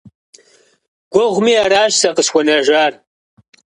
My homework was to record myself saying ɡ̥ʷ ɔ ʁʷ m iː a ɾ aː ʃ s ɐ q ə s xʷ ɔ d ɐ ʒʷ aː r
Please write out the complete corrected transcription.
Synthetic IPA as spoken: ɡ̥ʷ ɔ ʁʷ m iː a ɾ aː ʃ s ɐ q ə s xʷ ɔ n ɐ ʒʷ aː r